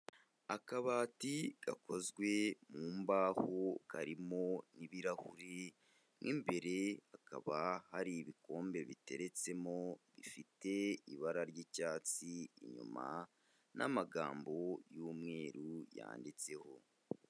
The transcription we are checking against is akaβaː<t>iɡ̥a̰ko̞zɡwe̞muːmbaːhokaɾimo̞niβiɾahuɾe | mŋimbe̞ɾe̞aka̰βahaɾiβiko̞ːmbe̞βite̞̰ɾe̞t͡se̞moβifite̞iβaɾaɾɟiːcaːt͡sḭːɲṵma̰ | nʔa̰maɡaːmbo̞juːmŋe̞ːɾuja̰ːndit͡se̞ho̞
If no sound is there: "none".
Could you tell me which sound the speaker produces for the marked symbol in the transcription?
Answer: t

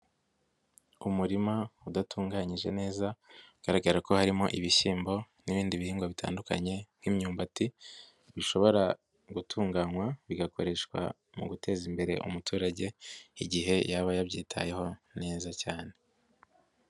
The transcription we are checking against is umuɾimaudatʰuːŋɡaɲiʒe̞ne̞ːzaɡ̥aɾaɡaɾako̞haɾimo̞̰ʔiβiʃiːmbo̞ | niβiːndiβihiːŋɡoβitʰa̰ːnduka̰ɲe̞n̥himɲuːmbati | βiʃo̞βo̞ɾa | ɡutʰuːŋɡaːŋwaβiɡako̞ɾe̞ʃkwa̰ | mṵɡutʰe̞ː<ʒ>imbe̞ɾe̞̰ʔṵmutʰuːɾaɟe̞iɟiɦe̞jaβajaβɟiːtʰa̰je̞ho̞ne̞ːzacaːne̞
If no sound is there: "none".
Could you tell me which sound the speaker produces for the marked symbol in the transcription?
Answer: z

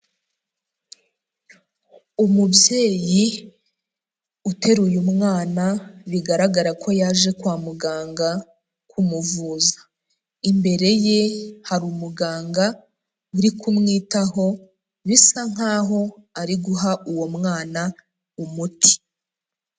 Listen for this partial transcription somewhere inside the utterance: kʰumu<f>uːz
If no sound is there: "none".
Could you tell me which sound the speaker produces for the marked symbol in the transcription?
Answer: v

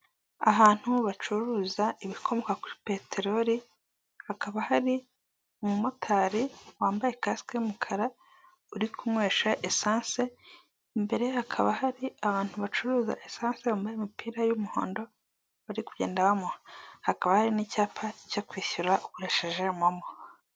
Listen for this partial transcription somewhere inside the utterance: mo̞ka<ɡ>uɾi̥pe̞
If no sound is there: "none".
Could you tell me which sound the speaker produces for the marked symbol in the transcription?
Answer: k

